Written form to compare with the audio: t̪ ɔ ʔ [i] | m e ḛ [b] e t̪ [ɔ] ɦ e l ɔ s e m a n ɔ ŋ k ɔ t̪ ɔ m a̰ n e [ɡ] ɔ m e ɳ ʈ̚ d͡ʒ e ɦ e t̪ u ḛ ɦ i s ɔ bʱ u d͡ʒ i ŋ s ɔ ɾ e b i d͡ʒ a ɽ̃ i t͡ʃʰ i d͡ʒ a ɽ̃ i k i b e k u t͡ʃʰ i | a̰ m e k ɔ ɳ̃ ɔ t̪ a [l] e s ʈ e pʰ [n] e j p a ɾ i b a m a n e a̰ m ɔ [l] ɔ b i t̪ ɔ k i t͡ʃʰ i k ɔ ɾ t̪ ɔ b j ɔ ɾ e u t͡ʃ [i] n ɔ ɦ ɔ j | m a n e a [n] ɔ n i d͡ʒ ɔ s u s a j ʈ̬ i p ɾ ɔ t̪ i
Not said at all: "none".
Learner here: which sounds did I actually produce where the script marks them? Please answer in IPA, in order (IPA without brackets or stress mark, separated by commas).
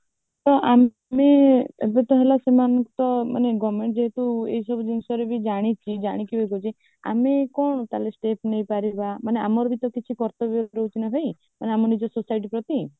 a, b, ɔ, ɡ, l, n, ɾ, i, m